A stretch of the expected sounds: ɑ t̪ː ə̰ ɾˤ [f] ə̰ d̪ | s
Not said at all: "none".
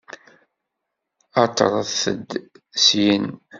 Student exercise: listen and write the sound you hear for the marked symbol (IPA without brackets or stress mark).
θ